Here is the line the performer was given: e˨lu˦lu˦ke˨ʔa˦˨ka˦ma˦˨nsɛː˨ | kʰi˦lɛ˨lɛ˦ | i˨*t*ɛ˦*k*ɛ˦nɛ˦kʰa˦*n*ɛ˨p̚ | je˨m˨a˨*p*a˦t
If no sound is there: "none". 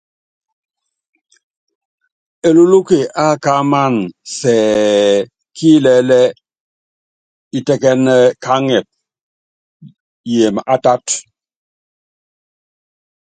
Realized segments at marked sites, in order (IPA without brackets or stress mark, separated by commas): t, k, ŋ, t